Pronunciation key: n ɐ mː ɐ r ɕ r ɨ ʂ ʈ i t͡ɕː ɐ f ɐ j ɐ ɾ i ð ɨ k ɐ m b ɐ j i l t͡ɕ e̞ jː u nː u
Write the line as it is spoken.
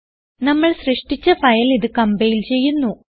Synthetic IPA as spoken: n ɐ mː ɐ ɭ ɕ r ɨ ʂ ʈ i t͡ɕː ɐ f ɐ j ɐ l i ð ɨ k ɐ m b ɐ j i l t͡ɕ e̞ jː u nː u